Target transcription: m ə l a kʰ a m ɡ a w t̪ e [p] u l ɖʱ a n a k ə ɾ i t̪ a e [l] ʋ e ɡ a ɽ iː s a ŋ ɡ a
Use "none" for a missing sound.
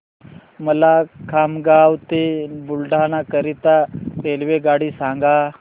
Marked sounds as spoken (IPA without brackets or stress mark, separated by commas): b, l